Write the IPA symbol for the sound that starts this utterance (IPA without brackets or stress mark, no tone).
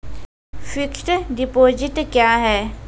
f